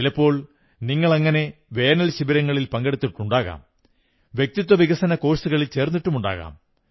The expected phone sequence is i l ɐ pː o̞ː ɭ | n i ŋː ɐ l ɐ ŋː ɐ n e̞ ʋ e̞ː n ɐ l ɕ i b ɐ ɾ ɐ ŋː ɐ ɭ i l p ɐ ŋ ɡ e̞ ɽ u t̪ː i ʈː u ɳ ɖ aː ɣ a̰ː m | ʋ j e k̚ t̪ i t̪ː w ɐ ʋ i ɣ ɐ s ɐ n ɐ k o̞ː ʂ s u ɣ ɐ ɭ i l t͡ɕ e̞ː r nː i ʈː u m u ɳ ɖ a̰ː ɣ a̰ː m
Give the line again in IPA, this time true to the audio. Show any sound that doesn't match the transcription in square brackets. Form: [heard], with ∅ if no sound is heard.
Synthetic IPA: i l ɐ pː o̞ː ɭ | n i ŋː ɐ [ɭ] ɐ ŋː ɐ n e̞ ʋ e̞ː n ɐ l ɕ i b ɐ ɾ ɐ ŋː ɐ ɭ i l p ɐ ŋ ɡ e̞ ɽ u t̪ː i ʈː u ɳ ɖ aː ɣ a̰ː m | ʋ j e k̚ t̪ i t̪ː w ɐ ʋ i ɣ ɐ s ɐ n ɐ k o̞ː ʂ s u ɣ ɐ ɭ i l t͡ɕ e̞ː r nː i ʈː u m u ɳ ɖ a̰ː ɣ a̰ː m

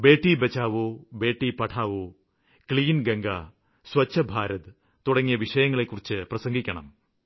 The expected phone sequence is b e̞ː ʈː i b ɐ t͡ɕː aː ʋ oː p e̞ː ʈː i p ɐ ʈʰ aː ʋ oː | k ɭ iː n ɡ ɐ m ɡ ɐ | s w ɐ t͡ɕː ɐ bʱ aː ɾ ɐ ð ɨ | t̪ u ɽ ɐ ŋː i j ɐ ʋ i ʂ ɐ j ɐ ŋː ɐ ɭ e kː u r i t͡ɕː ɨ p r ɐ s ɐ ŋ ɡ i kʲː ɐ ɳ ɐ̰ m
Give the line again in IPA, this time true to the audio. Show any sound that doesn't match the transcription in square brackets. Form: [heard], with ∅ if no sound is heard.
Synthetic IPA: b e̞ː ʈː i b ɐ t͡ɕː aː ʋ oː [b] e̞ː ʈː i p ɐ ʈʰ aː ʋ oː | k ɭ iː n ɡ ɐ [ŋ] ɡ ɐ | s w ɐ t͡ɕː ɐ bʱ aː ɾ ɐ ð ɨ | t̪ u ɽ ɐ ŋː i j ɐ ʋ i ʂ ɐ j ɐ ŋː ɐ ɭ e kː u r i t͡ɕː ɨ p r ɐ s ɐ ŋ ɡ i kʲː ɐ ɳ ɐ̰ m

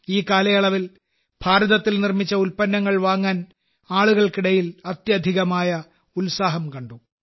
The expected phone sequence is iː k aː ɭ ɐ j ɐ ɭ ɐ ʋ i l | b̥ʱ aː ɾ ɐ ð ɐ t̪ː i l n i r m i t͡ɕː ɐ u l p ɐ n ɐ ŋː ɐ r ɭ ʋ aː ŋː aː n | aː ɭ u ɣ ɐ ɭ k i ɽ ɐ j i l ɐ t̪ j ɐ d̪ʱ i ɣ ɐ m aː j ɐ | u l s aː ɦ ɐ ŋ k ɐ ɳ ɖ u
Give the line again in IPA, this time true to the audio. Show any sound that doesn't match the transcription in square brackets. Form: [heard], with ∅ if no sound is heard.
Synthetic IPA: iː k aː [l] ɐ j ɐ ɭ ɐ ʋ i l | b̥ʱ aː ɾ ɐ ð ɐ t̪ː i l n i r m i t͡ɕː ɐ u l p ɐ [nː] ɐ ŋː ɐ [∅] ɭ ʋ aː ŋː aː n | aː ɭ u ɣ ɐ ɭ k i ɽ ɐ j i l ɐ t̪ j ɐ d̪ʱ i ɣ ɐ m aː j ɐ | u l s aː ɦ ɐ [m] k ɐ ɳ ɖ u

